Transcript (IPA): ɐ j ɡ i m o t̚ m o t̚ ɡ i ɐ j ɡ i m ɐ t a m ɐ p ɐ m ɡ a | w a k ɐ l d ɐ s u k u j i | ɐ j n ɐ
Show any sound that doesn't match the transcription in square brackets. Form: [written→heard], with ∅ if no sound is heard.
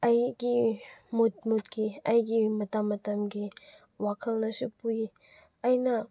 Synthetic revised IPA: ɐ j ɡ i m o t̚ m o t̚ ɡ i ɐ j ɡ i m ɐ t a m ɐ [p→t] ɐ m ɡ [a→i] | w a [k→kʰ] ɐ l [d→n] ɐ s u [k→p] u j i | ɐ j n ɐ